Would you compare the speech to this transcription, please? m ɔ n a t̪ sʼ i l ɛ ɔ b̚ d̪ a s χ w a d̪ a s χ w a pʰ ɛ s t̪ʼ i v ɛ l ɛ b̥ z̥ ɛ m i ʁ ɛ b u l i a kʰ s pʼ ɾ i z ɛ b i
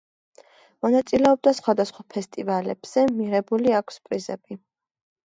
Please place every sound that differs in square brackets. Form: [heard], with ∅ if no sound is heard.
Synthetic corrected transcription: m ɔ n a t̪ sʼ i l ɛ ɔ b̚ d̪ a s χ w a d̪ a s χ w a pʰ ɛ s t̪ʼ i v [a] l ɛ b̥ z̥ ɛ m i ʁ ɛ b u l i a kʰ s pʼ ɾ i z ɛ b i